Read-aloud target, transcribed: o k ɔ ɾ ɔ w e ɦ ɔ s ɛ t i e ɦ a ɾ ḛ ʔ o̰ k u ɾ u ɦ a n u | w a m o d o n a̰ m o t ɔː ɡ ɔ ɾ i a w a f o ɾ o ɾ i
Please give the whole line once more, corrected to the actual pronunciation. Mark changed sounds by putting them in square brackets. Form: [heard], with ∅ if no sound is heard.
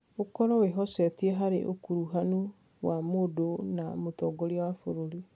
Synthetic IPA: o k ɔ ɾ ɔ w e ɦ ɔ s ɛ t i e ɦ a ɾ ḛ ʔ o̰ k u ɾ u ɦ a n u | w a m o d o n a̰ m o t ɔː ɡ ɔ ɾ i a w a f o ɾ o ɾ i